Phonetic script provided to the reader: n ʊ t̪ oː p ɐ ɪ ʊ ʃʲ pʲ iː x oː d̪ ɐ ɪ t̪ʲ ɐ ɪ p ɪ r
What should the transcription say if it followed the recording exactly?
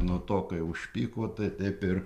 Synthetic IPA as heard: n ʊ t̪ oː k ɐ ɪ ʊ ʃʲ pʲ iː k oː t̪ ɐ ɪ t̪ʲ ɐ ɪ p ɪ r